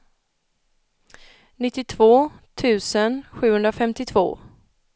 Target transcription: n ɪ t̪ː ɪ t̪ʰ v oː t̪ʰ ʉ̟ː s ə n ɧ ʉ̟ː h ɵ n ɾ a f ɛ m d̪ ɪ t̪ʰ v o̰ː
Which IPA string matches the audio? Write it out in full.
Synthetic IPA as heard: n ɪ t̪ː ɪ t̪ʰ v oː t̪ʰ ʉ̟ː s ə n ɧ ʉ̟ː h ɵ n ɾ a f ɛ m t̪ ɪ t̪ʰ v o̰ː